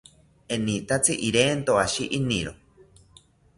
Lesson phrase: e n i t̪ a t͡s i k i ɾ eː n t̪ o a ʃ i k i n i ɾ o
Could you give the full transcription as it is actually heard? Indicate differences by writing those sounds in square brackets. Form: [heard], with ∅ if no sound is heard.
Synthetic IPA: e n i t̪ a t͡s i [ʔ] i ɾ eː n t̪ o a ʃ i [ʔ] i n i ɾ o